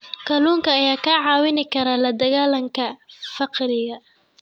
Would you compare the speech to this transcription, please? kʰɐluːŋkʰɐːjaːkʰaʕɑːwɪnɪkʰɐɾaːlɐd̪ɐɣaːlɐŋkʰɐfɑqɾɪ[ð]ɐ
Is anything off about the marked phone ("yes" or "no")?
yes